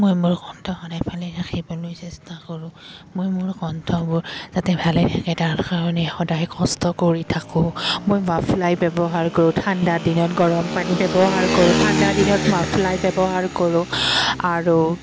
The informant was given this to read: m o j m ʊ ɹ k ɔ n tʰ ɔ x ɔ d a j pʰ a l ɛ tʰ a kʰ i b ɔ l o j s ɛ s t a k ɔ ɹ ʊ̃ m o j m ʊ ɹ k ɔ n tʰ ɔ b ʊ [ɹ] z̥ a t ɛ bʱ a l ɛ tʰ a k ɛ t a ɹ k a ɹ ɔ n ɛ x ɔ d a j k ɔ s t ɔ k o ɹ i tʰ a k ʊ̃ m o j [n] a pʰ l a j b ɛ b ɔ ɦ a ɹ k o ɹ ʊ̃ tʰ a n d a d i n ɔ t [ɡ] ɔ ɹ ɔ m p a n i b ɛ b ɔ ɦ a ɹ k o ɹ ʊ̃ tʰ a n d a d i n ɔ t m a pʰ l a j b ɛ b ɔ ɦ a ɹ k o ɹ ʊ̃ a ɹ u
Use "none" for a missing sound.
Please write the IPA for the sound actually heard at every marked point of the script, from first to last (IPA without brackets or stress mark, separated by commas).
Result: ɹ, m, ɡ